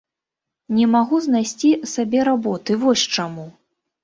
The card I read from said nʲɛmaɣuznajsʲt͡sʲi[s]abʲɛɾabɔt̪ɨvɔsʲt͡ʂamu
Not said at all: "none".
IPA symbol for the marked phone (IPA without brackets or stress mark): s